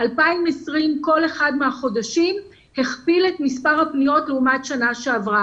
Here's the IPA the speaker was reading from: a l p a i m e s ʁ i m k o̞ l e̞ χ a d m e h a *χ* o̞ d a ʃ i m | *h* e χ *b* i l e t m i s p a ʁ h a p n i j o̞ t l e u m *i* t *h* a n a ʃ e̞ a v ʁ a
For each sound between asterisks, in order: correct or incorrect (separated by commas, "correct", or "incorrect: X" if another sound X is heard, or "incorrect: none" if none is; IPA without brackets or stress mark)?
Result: correct, correct, incorrect: p, incorrect: a, incorrect: ʃ